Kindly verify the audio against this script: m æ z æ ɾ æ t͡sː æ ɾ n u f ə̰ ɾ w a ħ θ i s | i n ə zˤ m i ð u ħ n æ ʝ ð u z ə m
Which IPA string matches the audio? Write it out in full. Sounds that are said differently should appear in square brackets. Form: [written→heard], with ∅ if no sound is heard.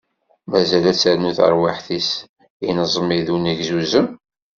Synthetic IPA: m æ z æ [ɾ→l] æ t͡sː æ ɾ n u [f→θ] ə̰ ɾ w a ħ θ i s | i n ə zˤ m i ð u [ħ→∅] n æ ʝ [ð→z] u z ə m